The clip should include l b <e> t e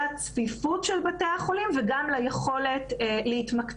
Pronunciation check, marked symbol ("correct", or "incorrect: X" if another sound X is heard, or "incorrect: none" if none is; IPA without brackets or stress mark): incorrect: a